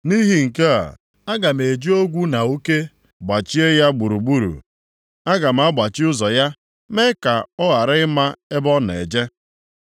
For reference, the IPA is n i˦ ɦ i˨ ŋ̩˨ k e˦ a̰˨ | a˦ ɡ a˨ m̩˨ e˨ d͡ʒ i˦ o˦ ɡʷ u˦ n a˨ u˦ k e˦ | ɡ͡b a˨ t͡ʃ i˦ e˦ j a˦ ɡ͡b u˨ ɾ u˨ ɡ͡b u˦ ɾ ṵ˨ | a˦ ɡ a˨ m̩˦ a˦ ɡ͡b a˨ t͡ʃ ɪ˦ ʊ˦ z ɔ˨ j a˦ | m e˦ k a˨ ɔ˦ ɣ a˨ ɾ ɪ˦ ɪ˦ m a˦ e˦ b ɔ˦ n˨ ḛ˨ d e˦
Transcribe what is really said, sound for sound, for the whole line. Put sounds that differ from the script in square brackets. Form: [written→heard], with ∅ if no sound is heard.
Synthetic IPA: n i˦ ɦ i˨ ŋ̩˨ k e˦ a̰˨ | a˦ ɡ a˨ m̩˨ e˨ d͡ʒ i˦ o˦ ɡʷ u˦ n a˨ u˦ k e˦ | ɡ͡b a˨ t͡ʃ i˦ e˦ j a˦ ɡ͡b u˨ ɾ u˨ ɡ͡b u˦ ɾ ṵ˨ | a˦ ɡ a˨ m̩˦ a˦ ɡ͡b a˨ t͡ʃ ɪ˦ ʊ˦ z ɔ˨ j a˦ | m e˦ k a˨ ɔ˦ ɣ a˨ ɾ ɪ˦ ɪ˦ m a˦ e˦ b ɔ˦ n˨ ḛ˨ [d→d͡ʒ] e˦